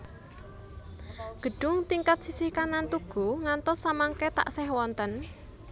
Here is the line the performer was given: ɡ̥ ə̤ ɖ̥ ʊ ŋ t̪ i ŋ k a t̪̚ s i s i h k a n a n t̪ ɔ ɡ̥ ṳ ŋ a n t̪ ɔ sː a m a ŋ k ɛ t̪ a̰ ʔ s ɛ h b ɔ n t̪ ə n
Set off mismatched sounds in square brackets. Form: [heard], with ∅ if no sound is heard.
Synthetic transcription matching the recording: ɡ̥ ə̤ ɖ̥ ʊ ŋ t̪ i ŋ k a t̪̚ s i s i h k a n a n t̪ [u] ɡ̥ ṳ ŋ a n t̪ ɔ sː a m a ŋ k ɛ t̪ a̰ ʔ s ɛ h [w] ɔ n t̪ ə n